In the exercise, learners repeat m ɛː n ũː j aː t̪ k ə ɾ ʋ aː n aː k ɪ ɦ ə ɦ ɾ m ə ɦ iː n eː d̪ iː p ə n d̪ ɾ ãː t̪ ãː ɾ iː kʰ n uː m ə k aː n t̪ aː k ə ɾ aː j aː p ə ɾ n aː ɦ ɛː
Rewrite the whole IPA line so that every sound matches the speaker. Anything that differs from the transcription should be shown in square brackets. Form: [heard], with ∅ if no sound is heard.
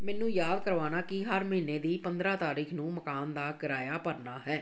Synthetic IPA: m ɛː n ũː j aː [d̪] k ə ɾ ʋ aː n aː k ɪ ɦ ə [∅] ɾ m ə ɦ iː n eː d̪ iː p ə n d̪ ɾ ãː t̪ [aː] ɾ iː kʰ n [ũː] m ə k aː n [d̪] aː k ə ɾ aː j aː p ə ɾ n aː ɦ ɛː